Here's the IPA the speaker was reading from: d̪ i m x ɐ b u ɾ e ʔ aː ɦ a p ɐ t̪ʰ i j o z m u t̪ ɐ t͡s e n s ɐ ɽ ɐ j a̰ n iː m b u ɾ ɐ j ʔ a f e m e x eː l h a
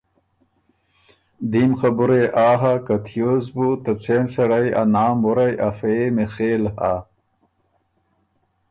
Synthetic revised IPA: d̪ i m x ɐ b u ɾ e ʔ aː ɦ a k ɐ t̪ʰ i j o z b u t̪ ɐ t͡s e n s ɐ ɽ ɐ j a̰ n aː m b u ɾ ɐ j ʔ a f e m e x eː l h a